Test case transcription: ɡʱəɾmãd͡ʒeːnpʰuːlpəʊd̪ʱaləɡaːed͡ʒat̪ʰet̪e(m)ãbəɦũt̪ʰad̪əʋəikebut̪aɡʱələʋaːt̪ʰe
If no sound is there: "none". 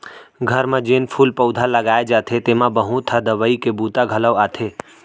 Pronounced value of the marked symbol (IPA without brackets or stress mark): m